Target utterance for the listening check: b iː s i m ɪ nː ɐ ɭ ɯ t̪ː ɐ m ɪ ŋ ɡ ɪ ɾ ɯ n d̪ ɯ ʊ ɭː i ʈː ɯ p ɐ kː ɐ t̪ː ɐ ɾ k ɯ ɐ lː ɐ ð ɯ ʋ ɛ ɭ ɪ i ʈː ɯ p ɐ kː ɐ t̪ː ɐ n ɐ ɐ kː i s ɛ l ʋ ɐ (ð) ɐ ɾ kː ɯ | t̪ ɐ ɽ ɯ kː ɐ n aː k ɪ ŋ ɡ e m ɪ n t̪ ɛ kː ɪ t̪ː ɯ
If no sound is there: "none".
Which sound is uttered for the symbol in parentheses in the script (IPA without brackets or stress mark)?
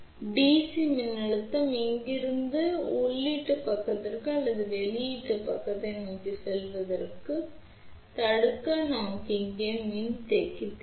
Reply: ð